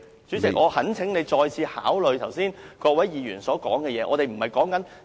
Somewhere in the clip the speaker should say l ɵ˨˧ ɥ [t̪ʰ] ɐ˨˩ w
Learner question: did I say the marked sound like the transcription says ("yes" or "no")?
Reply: yes